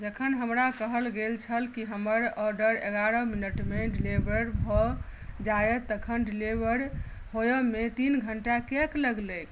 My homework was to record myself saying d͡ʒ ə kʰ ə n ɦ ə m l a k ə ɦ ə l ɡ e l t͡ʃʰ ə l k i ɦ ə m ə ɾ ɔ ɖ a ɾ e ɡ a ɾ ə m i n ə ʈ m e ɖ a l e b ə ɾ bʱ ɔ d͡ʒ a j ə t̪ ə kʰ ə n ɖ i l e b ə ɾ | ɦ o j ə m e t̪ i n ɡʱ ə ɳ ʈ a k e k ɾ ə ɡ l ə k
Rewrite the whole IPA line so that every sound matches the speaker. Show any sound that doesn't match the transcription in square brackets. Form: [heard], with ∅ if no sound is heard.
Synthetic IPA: d͡ʒ ə kʰ ə n ɦ ə m [ɾ] a k ə ɦ ə l ɡ e l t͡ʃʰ ə l k i ɦ ə m ə ɾ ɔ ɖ [ə] ɾ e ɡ a ɾ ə m i n ə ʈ m e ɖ [i] l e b ə ɾ bʱ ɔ d͡ʒ a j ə t̪ ə kʰ ə n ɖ i l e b ə ɾ | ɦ o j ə m e t̪ i n ɡʱ ə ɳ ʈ a k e k [l] ə ɡ l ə k